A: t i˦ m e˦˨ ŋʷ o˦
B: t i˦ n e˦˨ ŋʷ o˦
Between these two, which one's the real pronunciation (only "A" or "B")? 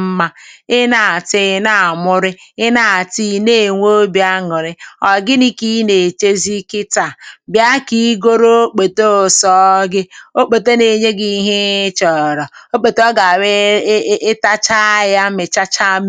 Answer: B